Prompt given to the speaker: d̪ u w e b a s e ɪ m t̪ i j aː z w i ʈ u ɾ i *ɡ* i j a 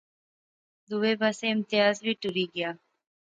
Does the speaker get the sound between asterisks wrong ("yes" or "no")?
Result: no